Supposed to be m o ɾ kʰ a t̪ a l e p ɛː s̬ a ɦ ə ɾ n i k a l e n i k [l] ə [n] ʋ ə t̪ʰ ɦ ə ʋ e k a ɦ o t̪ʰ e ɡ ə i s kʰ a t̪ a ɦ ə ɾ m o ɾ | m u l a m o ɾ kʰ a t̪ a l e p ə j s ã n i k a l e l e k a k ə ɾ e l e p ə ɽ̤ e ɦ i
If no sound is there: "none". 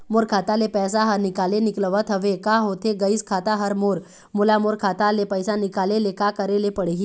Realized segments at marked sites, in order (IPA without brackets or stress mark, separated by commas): l, none